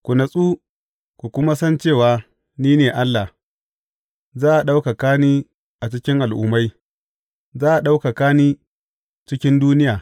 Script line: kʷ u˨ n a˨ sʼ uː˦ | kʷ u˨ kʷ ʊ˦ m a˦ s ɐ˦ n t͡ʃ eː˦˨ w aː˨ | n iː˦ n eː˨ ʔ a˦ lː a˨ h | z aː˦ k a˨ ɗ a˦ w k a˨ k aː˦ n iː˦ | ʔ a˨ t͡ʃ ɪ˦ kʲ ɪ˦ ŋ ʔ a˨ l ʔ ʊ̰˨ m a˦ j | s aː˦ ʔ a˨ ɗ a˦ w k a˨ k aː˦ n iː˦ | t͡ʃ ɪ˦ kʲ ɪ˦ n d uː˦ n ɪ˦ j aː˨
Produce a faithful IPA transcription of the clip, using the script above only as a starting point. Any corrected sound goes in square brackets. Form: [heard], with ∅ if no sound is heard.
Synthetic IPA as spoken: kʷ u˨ n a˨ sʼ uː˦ | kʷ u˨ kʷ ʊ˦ m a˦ s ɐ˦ n t͡ʃ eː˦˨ w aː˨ | n iː˦ n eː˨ ʔ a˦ lː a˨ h | z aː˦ [ʔ] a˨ ɗ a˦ w k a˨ k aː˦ n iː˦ | ʔ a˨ t͡ʃ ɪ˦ kʲ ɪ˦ ŋ ʔ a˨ l ʔ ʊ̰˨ m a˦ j | [z] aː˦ ʔ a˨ ɗ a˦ w k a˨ k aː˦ n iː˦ | t͡ʃ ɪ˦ kʲ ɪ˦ n d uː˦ n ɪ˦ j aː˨